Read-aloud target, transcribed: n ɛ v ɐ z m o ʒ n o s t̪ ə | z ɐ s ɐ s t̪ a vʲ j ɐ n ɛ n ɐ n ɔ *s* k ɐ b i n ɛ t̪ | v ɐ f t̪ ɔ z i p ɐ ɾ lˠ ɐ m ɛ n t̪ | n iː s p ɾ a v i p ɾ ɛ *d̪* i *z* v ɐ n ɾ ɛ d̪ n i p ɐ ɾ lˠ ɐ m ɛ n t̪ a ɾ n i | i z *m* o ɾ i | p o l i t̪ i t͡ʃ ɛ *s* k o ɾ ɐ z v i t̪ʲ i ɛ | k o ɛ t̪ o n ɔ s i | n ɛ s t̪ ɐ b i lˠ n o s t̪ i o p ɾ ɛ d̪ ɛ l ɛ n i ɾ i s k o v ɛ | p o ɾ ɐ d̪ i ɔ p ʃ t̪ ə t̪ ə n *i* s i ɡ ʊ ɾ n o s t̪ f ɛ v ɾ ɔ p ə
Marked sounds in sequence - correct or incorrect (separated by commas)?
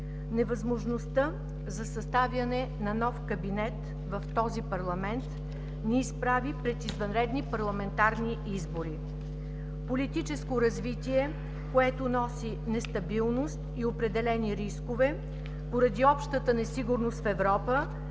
incorrect, incorrect, correct, incorrect, correct, incorrect